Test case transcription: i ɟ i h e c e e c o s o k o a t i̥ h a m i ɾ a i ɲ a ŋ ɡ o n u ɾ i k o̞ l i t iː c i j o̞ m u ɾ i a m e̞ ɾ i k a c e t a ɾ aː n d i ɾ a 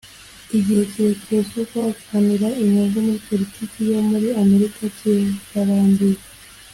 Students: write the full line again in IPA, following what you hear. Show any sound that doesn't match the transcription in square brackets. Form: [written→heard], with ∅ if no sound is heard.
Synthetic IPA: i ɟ i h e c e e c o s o k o a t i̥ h a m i ɾ a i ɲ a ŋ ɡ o [n→m] u ɾ i [k→p] o̞ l i t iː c i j o̞ m u ɾ i a m e̞ ɾ i k a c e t a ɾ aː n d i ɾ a